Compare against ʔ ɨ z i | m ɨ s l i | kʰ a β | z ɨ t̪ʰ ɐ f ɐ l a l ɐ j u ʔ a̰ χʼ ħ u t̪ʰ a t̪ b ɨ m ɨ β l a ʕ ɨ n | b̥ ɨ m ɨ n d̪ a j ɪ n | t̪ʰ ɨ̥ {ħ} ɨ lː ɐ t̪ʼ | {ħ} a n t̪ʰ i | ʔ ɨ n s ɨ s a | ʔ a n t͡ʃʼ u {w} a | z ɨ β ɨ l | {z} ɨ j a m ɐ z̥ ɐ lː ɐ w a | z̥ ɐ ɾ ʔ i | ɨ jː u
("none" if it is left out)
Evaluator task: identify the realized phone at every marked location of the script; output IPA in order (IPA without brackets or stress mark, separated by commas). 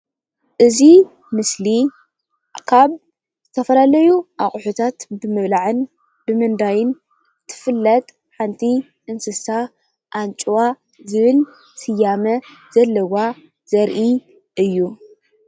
f, ħ, w, s